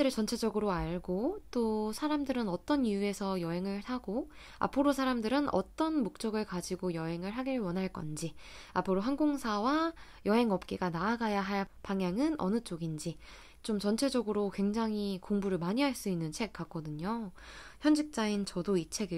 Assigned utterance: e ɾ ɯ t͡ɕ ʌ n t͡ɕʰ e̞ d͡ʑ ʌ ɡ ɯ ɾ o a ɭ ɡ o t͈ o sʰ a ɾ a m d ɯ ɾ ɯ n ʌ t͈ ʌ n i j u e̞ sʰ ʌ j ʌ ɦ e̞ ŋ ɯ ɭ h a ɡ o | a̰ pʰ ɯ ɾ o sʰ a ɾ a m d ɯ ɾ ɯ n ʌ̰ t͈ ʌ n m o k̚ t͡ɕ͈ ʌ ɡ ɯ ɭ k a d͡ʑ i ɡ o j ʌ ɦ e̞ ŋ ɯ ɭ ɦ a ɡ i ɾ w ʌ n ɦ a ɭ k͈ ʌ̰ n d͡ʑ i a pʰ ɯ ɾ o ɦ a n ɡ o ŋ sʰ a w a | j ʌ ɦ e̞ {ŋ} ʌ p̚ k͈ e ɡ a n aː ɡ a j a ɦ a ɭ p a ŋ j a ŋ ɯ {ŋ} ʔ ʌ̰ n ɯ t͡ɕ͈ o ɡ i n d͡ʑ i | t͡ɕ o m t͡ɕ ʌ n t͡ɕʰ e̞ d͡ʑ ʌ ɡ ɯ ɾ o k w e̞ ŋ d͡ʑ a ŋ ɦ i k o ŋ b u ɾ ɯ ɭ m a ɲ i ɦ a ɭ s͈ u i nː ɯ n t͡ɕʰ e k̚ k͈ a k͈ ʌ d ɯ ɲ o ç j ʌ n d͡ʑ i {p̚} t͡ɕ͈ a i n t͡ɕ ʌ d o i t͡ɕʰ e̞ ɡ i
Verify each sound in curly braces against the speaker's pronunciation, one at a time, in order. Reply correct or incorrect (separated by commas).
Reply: correct, incorrect, incorrect